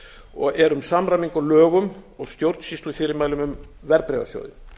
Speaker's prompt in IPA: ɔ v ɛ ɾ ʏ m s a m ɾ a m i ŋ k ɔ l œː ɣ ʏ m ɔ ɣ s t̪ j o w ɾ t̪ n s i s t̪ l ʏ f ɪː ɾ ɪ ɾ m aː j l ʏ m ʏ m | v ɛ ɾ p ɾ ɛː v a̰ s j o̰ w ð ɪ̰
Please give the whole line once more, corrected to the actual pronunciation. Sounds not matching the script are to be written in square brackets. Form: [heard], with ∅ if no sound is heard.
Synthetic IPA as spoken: ɔ [ɣ] ɛ ɾ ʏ m s a m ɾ a m i ŋ k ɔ l œː ɣ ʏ m ɔ ɣ s t̪ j o w ɾ t̪ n s i s t̪ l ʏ f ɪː ɾ ɪ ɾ m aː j l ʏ m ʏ m | v ɛ ɾ p ɾ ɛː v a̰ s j o̰ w ð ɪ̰